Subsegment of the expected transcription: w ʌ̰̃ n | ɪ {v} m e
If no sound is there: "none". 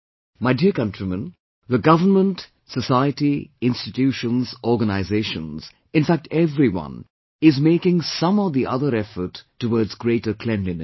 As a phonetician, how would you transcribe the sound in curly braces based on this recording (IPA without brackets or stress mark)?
z